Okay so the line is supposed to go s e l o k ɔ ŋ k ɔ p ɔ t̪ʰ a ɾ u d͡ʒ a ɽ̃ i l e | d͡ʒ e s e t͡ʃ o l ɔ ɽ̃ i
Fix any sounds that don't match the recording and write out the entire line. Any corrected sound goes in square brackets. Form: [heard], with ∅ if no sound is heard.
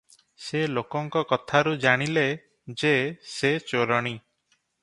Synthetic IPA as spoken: s e l o k ɔ ŋ k ɔ [k] ɔ t̪ʰ a ɾ u d͡ʒ a ɽ̃ i l e | d͡ʒ e s e t͡ʃ o [ɾ] ɔ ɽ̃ i